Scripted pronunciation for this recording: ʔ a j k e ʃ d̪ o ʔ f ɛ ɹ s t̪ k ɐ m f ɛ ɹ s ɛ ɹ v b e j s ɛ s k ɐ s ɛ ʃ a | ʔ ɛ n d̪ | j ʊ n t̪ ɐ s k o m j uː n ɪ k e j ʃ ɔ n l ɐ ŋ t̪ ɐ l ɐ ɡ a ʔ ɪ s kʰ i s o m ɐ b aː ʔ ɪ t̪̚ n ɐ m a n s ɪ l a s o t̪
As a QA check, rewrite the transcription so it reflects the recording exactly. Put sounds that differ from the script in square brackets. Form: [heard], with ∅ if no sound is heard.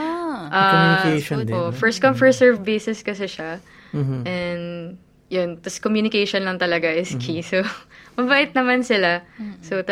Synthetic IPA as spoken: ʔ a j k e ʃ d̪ o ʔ f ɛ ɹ s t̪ k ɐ m f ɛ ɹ s ɛ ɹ v b e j s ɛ s k ɐ s ɛ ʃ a | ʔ ɛ n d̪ | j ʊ n t̪ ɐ s k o m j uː n ɪ k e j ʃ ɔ n l ɐ ŋ t̪ ɐ l ɐ ɡ a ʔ ɪ s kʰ i s o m ɐ b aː ʔ ɪ t̪̚ n ɐ m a n s ɪ l a s o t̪